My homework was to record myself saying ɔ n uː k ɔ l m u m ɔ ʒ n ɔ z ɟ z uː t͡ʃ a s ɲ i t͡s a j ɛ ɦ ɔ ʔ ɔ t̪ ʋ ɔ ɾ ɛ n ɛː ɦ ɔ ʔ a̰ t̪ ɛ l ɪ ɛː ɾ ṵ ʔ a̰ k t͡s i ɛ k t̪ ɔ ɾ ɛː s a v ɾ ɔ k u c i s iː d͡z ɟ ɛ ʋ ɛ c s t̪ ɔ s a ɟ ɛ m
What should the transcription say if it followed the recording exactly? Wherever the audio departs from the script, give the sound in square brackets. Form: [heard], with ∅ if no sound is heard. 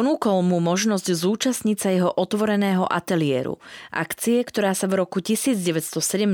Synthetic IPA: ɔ n uː k ɔ l m u m ɔ ʒ n ɔ z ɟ z uː t͡ʃ a s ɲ i t͡s a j ɛ ɦ ɔ ʔ ɔ t̪ ʋ ɔ ɾ ɛ n ɛː ɦ ɔ ʔ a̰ t̪ ɛ l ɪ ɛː ɾ ṵ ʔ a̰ k t͡s i ɛ k t̪ ɔ ɾ [aː] s a v ɾ ɔ k u c i s iː d͡z ɟ ɛ ʋ ɛ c s t̪ ɔ s [ɛ] ɟ ɛ m